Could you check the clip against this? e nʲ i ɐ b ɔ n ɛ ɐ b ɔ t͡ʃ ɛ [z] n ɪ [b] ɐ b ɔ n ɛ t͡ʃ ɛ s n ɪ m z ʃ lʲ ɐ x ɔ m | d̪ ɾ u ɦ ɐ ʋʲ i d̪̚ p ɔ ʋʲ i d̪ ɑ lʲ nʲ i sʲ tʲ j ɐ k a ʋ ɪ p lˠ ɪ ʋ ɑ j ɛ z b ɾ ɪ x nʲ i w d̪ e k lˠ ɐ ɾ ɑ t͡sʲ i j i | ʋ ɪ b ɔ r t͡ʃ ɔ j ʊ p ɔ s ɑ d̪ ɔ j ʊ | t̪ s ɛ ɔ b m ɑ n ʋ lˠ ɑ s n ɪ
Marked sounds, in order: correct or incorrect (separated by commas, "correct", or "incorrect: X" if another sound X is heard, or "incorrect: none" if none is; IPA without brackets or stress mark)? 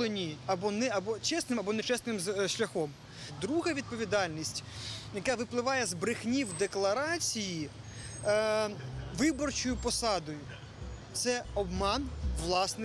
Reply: incorrect: s, incorrect: m